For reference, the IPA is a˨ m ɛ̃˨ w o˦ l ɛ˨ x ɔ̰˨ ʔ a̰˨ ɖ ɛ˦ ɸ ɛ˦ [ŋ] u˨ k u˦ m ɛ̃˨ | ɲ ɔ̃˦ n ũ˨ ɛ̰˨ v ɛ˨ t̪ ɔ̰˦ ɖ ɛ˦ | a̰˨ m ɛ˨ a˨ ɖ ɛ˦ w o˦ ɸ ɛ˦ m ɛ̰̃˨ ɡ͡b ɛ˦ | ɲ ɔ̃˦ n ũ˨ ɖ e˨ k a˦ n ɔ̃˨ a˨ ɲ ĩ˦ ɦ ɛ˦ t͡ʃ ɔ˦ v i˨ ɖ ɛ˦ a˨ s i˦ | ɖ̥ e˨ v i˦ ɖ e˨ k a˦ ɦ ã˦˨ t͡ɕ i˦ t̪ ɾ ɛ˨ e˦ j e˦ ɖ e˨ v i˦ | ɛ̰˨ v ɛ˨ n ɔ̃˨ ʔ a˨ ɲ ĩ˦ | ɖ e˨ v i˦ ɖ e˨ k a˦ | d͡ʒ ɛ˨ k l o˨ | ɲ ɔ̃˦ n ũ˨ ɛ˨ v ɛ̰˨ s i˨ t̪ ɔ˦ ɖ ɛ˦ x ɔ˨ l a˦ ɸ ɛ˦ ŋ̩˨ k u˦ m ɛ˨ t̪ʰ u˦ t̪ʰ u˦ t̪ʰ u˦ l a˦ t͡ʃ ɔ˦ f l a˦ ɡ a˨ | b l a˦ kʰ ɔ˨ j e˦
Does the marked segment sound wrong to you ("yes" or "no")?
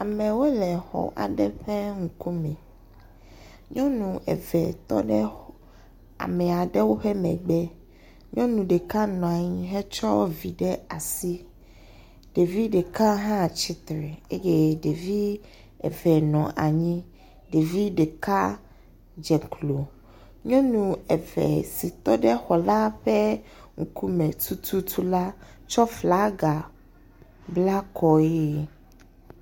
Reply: no